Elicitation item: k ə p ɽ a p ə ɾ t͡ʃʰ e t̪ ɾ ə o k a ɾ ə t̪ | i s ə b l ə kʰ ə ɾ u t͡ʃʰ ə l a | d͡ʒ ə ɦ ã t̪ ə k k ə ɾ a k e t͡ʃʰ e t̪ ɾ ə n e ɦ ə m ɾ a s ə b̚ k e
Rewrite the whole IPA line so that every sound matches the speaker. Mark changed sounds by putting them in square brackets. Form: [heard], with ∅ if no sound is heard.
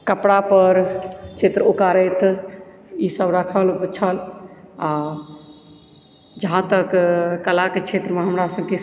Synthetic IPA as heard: k ə p ɽ a p ə ɾ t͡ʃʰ e t̪ ɾ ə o k a ɾ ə t̪ | i s ə b [ɾ] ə kʰ ə [l] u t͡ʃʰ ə l a | d͡ʒ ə ɦ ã t̪ ə k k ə [l] a k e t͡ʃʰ e t̪ ɾ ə [m] e ɦ ə m ɾ a s ə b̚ k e